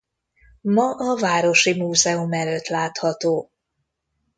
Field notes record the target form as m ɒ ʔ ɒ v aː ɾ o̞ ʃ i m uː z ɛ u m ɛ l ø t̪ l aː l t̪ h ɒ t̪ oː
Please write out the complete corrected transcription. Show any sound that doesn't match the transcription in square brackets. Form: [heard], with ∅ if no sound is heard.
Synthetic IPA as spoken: m ɒ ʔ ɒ v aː ɾ o̞ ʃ i m uː z ɛ u m ɛ l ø t̪ l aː [∅] t̪ h ɒ t̪ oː